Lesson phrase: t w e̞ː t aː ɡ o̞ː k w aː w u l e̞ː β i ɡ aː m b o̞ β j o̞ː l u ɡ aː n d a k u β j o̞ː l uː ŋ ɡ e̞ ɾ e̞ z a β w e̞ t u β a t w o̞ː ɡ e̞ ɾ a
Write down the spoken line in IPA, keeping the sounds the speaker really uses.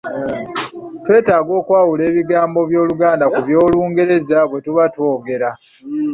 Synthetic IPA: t w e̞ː t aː ɡ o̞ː k w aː w u l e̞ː β i ɡ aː m b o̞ β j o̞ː l u ɡ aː n d a k u β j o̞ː l uː ŋ ɡ e̞ ɾ e̞ z a β w e̞ t u β a t w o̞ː ɡ e̞ ɾ a